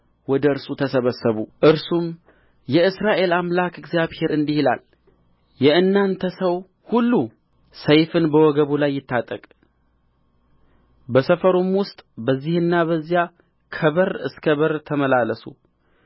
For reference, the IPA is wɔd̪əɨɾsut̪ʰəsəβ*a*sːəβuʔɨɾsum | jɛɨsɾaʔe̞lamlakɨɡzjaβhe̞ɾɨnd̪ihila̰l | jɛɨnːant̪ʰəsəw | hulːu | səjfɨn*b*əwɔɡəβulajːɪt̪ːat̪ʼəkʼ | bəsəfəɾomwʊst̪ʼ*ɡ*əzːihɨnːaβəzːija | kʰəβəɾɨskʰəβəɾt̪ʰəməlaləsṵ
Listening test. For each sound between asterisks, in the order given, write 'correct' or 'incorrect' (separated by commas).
incorrect, correct, incorrect